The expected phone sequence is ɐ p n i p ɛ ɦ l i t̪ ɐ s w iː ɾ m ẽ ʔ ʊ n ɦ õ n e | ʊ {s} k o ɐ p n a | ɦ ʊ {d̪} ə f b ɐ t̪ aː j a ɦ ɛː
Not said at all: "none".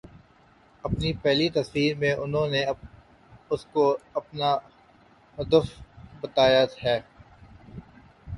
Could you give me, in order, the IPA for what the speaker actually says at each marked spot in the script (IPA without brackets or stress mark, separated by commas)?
s, d̪